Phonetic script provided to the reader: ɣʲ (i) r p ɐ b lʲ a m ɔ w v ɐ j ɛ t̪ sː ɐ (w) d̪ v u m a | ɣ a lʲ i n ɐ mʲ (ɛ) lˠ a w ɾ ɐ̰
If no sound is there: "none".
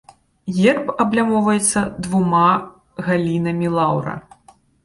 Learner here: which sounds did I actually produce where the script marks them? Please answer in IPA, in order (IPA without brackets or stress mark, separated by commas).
ɛ, none, i